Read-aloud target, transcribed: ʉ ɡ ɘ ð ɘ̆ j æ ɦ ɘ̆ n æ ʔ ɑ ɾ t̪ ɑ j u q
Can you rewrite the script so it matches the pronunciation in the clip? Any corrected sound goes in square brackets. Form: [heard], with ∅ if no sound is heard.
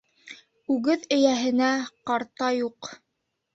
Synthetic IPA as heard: ʉ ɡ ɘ ð ɘ̆ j æ ɦ ɘ̆ n æ [q] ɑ ɾ t̪ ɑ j u q